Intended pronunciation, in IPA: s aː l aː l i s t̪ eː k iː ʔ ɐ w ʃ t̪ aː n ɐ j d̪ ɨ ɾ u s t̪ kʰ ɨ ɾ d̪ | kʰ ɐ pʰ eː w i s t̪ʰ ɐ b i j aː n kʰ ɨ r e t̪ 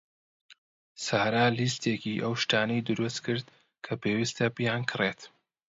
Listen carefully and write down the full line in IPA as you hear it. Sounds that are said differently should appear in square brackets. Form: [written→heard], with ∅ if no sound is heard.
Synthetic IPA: s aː [l→ɾ] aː l i s t̪ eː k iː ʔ ɐ w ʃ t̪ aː n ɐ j d̪ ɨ ɾ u s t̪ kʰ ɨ ɾ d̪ | kʰ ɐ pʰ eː w i s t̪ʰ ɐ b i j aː n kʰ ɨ r e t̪